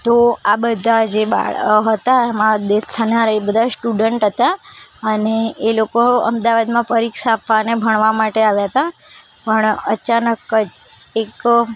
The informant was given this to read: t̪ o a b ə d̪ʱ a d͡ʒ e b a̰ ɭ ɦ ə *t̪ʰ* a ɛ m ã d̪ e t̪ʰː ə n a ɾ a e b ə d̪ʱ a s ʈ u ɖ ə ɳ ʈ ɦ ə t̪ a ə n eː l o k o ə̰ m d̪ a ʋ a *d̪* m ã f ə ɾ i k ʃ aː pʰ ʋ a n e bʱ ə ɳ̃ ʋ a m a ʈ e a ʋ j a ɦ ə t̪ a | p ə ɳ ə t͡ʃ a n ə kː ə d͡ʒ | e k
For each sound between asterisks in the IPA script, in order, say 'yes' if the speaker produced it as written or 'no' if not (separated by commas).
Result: no, yes